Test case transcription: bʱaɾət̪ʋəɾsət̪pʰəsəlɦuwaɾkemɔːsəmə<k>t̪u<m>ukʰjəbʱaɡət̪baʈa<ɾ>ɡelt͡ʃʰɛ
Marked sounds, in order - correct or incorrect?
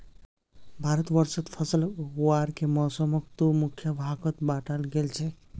correct, correct, incorrect: l

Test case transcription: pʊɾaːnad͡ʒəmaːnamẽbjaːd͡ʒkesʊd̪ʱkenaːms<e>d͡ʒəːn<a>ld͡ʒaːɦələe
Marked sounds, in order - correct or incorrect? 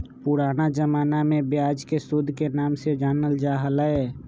correct, incorrect: ə

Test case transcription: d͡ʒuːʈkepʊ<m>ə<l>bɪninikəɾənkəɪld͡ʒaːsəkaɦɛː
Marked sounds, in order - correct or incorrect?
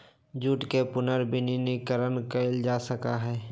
incorrect: n, incorrect: ɾ

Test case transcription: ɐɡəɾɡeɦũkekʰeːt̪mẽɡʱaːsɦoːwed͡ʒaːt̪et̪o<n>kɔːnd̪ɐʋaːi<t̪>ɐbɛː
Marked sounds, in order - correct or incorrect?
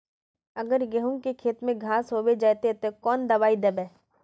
incorrect: none, incorrect: d̪

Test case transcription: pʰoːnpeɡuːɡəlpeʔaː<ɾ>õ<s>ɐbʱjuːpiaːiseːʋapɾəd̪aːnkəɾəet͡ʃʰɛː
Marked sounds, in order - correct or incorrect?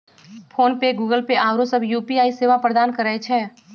correct, correct

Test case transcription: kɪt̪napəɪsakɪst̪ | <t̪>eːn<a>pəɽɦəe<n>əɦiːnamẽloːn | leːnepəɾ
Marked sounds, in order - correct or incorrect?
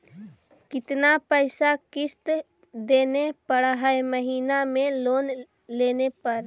incorrect: d̪, incorrect: e, incorrect: m

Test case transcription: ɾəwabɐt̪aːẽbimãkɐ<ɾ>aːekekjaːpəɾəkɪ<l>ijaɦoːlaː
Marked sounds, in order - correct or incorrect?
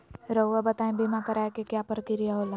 correct, incorrect: ɾ

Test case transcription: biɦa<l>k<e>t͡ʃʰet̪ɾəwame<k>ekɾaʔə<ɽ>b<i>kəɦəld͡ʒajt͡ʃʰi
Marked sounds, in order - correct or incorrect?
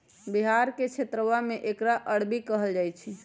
incorrect: ɾ, correct, incorrect: ʔ, correct, correct

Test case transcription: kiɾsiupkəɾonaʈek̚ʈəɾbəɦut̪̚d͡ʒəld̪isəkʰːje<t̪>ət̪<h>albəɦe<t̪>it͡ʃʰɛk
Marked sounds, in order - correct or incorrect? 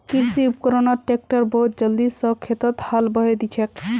correct, correct, incorrect: d̪

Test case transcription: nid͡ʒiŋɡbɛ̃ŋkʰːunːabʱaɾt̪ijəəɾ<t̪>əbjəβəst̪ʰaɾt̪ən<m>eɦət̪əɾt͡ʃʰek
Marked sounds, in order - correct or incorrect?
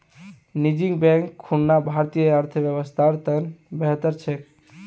incorrect: t̪ʰ, incorrect: b

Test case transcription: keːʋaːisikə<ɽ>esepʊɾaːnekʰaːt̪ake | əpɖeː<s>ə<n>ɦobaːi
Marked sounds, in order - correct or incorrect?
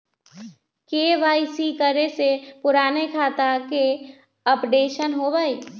incorrect: ɾ, incorrect: ʃ, correct

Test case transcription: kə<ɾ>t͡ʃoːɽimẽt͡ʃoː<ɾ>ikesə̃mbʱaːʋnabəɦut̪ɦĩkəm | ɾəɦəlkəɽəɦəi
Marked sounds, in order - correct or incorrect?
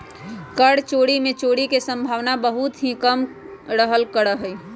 incorrect: ɽ, incorrect: ɽ

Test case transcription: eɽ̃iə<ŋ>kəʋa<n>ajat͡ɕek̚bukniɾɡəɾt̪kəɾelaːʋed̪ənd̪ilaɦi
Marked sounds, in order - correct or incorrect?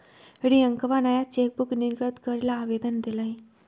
correct, correct

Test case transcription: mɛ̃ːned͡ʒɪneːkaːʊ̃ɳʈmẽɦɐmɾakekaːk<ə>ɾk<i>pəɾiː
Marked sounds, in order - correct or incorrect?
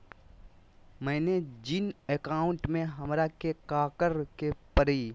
correct, incorrect: e

